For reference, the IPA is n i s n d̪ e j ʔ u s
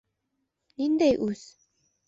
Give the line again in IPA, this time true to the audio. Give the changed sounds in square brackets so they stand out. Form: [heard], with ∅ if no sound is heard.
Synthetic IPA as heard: n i [∅] n d̪ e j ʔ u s